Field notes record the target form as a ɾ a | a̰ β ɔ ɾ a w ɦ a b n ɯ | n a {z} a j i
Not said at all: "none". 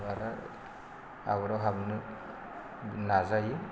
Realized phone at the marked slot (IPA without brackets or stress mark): z